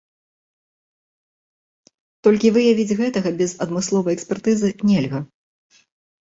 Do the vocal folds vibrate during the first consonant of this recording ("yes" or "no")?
no